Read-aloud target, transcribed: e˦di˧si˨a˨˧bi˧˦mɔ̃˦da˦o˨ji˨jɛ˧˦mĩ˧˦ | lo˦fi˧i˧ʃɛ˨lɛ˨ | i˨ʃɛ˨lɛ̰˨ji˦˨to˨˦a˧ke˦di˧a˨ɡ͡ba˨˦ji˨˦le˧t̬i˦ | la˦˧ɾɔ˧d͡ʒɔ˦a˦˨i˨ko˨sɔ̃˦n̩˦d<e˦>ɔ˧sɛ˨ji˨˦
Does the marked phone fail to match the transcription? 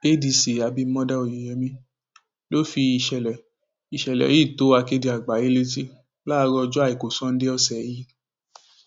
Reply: no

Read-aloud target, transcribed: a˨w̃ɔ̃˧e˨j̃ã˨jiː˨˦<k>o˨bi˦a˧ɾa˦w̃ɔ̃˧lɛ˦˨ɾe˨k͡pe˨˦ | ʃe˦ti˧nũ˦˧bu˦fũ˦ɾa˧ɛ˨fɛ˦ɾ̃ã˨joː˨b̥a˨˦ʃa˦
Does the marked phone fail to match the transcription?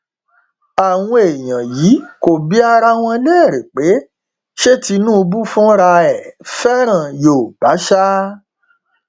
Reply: no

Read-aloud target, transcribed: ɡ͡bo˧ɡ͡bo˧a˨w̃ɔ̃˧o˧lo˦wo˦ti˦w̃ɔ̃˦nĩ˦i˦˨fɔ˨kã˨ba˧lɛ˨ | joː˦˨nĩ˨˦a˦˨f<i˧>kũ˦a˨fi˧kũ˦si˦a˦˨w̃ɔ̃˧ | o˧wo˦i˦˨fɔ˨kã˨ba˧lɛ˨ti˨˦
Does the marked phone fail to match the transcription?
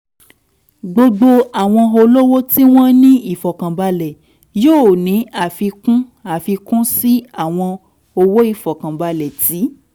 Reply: no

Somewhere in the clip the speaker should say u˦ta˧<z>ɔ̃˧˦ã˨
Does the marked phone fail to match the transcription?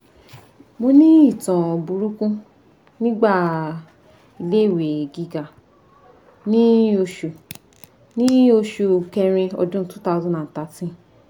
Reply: no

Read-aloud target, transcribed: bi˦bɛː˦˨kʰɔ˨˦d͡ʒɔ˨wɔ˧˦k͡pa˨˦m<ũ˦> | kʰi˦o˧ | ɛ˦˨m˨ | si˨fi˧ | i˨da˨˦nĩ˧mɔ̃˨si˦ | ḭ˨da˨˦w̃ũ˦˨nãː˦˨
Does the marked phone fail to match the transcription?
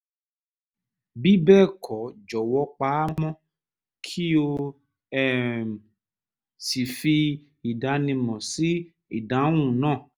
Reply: yes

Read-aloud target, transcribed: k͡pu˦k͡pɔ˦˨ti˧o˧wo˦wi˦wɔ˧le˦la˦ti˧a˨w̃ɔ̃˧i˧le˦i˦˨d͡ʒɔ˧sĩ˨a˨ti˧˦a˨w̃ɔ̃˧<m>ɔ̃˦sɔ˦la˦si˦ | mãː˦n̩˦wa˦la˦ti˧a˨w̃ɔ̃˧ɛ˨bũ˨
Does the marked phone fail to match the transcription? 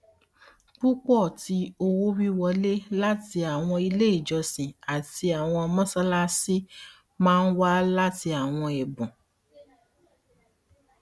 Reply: no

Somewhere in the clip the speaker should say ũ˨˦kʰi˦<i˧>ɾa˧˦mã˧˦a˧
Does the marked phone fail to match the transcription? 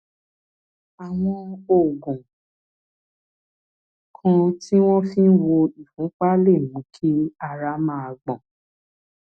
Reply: yes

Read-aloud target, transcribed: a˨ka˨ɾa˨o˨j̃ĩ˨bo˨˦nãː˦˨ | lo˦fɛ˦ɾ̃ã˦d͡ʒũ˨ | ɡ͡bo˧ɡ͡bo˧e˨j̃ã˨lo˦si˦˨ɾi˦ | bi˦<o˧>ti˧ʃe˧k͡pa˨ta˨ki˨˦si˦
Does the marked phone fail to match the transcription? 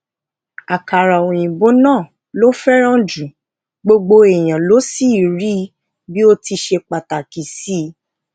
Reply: no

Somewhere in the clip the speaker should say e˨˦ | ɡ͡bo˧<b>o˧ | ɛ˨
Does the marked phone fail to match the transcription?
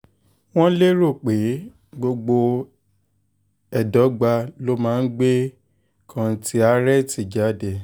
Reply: yes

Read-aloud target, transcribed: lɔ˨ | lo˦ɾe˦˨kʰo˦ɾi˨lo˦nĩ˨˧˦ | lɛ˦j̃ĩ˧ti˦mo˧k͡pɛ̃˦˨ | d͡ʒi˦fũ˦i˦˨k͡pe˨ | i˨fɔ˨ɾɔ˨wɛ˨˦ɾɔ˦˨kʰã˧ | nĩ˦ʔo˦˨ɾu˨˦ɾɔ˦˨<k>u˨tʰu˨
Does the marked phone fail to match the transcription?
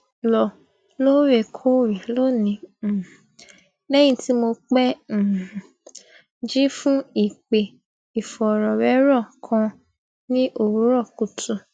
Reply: no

